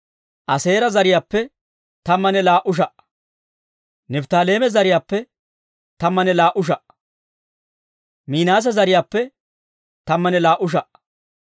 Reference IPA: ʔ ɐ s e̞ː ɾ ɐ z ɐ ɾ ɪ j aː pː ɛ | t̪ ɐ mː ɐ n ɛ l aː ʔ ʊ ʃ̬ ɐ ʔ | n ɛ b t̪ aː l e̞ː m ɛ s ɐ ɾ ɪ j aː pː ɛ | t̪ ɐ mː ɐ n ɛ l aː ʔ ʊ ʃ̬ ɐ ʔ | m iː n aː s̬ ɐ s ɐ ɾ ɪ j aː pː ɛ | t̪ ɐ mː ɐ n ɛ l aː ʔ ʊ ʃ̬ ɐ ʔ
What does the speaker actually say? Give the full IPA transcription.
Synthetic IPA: ʔ ɐ s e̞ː ɾ ɐ z ɐ ɾ ɪ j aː pː ɛ | t̪ ɐ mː ɐ n ɛ l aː ʔ ʊ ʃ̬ ɐ ʔ | n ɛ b t̪ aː l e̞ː m ɛ z ɐ ɾ ɪ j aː pː ɛ | t̪ ɐ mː ɐ n ɛ l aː ʔ ʊ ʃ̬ ɐ ʔ | m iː n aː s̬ ɐ z ɐ ɾ ɪ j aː pː ɛ | t̪ ɐ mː ɐ n ɛ l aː ʔ ʊ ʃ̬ ɐ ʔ